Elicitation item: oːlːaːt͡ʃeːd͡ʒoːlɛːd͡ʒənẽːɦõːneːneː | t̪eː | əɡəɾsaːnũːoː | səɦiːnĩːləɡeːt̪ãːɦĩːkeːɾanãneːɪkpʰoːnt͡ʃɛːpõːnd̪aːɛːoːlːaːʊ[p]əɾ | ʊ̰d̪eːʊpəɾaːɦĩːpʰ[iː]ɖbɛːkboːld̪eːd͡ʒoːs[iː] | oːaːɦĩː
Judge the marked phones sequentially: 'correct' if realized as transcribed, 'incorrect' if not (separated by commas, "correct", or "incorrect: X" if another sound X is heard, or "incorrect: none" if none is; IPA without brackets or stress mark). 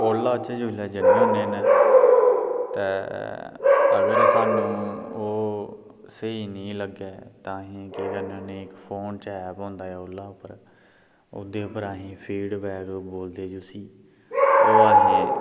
correct, correct, correct